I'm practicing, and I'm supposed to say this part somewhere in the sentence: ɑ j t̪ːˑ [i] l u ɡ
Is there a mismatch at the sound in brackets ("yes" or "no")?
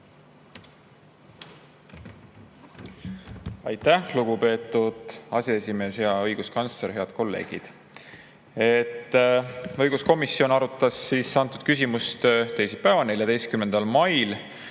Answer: yes